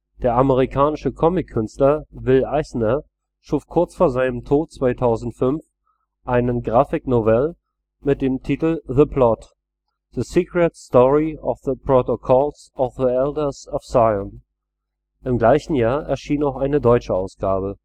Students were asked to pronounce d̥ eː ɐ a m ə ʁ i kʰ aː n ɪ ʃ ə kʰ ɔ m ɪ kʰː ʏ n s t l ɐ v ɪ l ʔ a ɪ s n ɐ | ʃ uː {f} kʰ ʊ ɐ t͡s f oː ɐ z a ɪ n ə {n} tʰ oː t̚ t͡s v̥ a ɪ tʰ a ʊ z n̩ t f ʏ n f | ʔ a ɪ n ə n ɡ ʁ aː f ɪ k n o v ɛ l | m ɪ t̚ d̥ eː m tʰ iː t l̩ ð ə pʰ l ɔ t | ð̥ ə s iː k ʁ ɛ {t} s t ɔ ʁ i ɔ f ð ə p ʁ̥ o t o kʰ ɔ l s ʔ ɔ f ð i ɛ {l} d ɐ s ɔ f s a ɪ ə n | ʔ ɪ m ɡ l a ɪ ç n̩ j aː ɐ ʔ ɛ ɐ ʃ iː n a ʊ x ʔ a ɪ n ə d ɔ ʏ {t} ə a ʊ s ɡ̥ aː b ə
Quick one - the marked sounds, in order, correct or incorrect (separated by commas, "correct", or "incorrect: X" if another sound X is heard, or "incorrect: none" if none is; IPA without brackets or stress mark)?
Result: correct, incorrect: m, correct, correct, incorrect: t͡ʃ